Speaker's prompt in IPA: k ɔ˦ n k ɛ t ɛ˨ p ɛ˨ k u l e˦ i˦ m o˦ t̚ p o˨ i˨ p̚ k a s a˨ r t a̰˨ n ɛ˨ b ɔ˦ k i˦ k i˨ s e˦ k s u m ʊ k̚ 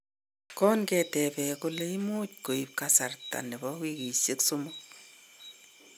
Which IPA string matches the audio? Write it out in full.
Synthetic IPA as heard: k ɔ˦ n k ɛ t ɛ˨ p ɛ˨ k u l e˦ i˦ m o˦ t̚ k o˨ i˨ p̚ k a s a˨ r t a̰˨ n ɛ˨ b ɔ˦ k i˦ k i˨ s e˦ k s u m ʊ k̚